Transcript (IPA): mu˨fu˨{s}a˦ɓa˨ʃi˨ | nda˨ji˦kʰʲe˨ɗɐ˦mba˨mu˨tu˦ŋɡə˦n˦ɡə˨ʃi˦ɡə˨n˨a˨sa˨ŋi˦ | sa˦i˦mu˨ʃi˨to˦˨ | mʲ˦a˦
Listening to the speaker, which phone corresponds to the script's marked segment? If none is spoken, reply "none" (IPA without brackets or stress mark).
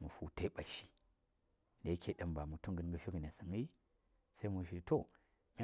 t